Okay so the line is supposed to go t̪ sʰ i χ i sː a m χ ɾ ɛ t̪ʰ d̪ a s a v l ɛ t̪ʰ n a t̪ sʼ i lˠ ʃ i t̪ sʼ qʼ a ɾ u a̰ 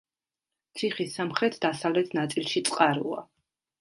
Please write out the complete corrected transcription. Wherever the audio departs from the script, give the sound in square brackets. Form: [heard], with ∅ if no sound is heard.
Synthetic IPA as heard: t̪ sʰ i χ i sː a m χ ɾ ɛ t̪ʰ d̪ a s a v l ɛ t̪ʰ n a t̪ sʼ i lˠ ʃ i t̪ sʼ qʼ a ɾ u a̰